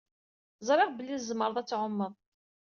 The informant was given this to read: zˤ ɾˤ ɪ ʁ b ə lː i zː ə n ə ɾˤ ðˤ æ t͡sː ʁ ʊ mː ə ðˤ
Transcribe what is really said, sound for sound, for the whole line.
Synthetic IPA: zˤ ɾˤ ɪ ʁ b ə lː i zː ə m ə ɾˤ ðˤ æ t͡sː ʕ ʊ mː ə ðˤ